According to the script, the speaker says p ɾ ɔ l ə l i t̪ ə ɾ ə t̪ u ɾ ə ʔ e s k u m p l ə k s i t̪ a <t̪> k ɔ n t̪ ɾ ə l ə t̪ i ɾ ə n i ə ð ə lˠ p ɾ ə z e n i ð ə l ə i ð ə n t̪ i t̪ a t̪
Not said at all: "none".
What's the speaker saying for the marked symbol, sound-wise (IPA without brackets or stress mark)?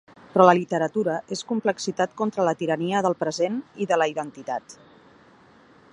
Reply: t̪